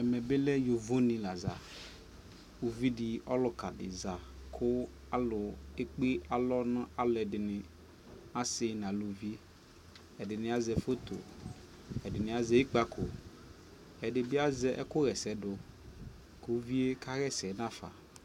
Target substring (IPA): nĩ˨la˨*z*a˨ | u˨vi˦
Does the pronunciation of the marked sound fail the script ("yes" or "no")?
no